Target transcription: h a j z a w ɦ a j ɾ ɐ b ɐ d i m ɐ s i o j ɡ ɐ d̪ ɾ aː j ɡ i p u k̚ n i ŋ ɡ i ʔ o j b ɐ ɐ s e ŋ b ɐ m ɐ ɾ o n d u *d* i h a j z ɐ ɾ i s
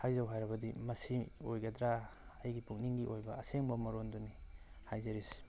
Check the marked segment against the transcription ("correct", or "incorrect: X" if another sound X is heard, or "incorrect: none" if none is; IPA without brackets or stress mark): incorrect: n